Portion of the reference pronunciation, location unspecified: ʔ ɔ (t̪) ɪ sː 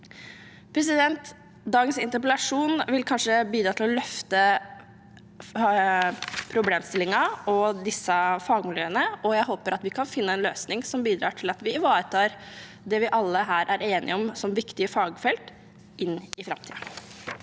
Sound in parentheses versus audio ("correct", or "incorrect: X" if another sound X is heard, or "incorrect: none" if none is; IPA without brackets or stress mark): incorrect: d̪